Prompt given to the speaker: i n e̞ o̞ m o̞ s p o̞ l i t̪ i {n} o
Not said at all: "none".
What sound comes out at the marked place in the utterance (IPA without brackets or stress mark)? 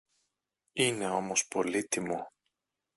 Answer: m